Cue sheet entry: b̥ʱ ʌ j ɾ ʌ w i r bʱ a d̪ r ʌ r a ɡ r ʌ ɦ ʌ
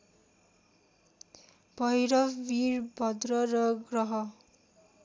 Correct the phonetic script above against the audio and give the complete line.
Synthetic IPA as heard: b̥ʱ ʌ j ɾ ʌ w i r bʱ ʌ d̪ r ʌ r ʌ ɡ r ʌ ɦ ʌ